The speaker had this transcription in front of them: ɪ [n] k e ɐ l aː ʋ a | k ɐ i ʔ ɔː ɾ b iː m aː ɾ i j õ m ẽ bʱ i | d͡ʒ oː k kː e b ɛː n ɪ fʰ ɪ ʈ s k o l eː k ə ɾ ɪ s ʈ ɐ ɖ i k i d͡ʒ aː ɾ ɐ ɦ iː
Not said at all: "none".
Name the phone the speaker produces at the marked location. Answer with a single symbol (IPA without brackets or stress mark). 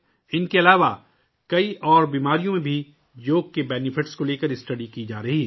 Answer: n